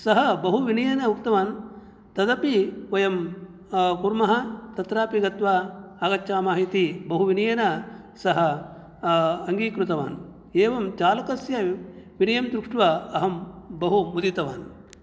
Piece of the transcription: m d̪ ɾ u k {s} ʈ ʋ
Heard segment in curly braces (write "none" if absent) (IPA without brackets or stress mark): ʂ